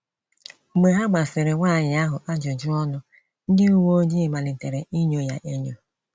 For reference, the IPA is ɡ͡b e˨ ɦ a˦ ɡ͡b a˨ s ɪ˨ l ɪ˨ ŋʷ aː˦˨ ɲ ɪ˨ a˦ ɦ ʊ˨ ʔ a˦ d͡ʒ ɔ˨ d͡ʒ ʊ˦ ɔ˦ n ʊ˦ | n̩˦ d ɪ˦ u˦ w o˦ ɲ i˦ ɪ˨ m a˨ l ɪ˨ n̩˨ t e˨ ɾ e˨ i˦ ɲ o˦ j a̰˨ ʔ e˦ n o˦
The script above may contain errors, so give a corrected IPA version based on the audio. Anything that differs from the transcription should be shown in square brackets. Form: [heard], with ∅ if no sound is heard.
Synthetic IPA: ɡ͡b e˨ ɦ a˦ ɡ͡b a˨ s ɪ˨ [ɾ] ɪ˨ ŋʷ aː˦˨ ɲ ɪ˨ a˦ ɦ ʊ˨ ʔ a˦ d͡ʒ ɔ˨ d͡ʒ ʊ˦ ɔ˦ n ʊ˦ | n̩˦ d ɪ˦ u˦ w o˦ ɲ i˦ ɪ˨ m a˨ l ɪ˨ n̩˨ t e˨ ɾ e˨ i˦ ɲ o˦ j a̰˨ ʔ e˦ [ɲ] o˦

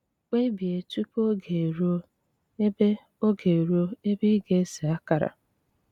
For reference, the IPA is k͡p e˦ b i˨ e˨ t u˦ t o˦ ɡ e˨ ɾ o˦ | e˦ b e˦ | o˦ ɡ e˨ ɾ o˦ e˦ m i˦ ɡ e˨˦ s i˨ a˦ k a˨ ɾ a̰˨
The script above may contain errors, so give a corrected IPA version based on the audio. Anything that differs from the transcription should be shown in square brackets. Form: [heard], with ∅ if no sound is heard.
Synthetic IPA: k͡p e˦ b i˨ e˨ t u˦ [p] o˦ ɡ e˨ ɾ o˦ | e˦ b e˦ | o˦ ɡ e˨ ɾ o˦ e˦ [b] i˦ ɡ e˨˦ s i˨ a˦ k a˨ ɾ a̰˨

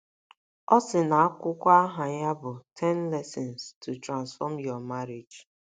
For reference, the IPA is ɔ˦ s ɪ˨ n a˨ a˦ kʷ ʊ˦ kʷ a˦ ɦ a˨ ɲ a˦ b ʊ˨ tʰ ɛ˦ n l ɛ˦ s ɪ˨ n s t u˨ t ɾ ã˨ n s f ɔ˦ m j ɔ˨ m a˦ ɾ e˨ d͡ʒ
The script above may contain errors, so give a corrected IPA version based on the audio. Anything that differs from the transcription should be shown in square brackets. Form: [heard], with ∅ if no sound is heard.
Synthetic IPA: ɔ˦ s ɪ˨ n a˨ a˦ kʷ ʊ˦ kʷ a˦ ɦ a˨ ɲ a˦ b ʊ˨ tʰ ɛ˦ n l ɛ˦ s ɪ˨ n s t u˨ t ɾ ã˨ n s f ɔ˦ m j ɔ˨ m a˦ ɾ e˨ d͡ʒ

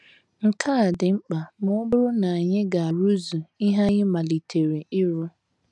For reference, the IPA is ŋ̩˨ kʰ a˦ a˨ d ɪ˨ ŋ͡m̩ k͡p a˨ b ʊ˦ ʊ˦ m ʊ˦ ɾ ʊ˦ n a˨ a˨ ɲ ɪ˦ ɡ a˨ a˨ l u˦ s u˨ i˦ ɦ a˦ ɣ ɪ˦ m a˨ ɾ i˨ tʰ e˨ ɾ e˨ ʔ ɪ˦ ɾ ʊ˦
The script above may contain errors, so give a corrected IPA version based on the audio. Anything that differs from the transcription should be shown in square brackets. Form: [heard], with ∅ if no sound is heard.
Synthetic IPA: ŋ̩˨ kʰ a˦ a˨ d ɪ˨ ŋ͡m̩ k͡p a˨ [m] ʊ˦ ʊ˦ [b] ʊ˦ ɾ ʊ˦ n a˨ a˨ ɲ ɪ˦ ɡ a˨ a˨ [ɾ] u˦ [z] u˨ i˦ ɦ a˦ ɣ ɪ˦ m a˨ [l] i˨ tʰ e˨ ɾ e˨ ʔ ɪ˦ ɾ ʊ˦

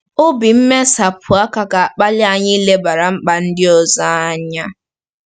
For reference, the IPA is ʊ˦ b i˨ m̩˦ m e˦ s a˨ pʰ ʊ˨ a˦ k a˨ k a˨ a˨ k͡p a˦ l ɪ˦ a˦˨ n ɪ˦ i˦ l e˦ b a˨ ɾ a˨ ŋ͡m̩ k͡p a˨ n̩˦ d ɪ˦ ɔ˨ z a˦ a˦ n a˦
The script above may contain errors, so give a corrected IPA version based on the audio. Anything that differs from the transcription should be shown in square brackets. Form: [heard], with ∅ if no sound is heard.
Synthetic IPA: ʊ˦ b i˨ m̩˦ m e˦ s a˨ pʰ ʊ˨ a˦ k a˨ k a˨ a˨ k͡p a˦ l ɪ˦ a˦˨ [ɲ] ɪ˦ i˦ l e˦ b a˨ ɾ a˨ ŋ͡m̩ k͡p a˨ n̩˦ d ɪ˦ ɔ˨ z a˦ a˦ [ɲ] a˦

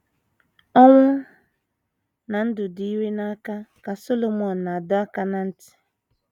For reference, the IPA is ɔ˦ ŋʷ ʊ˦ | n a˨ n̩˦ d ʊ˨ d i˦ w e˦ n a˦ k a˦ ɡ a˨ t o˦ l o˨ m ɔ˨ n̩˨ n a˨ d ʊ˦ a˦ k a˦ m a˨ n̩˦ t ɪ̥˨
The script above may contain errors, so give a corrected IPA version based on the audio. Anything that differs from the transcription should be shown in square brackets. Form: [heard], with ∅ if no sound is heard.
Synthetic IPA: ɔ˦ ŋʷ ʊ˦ | n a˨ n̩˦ d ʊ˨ d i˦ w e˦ n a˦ k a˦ [k] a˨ [s] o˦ l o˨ m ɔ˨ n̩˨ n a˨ d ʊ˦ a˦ k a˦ [n] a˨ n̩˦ t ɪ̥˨

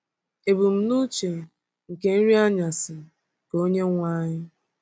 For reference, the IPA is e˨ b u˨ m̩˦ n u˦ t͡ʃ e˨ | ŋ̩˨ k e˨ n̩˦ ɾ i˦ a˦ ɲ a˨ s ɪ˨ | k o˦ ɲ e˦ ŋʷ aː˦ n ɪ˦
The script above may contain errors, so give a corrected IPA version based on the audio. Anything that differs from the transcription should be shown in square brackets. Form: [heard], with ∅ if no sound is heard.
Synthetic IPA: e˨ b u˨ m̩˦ n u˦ t͡ʃ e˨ | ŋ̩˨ k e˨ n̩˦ ɾ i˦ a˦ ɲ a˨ s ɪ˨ | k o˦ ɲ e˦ ŋʷ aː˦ [ɲ] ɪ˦

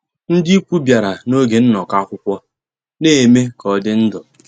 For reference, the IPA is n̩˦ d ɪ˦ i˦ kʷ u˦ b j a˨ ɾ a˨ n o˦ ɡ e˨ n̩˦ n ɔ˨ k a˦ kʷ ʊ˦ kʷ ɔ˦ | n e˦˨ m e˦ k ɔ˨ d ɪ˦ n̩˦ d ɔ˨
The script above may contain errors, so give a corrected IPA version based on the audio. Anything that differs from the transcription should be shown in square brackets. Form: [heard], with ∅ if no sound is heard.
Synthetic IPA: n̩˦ d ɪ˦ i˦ kʷ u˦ b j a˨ ɾ a˨ n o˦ ɡ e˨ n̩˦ n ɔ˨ k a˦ kʷ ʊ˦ kʷ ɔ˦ | n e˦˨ m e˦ k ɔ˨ d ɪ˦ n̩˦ d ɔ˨

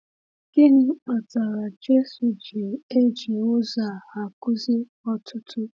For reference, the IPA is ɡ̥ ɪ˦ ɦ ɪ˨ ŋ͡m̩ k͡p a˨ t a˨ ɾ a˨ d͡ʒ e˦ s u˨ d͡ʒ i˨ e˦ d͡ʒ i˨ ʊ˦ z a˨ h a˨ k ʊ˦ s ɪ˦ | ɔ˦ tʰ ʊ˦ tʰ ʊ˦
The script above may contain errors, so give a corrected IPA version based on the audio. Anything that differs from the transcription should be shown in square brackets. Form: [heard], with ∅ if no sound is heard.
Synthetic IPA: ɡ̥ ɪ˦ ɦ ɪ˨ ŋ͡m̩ k͡p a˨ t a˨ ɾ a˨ d͡ʒ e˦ s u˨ d͡ʒ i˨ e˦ d͡ʒ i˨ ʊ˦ z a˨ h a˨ k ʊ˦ [z] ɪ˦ | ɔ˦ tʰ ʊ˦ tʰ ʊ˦

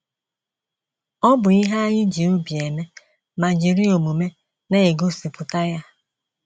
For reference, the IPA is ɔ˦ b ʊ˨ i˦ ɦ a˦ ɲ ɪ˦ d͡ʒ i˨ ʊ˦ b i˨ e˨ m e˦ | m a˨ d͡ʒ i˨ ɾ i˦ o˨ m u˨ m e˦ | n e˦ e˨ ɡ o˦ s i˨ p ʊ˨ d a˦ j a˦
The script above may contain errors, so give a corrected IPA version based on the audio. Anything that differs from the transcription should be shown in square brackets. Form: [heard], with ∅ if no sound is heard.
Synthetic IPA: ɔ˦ b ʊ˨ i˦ ɦ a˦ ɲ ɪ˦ d͡ʒ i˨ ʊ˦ b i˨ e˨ m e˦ | m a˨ d͡ʒ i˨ ɾ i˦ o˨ m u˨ m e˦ | n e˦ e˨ ɡ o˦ s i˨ p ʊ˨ [t] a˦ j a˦

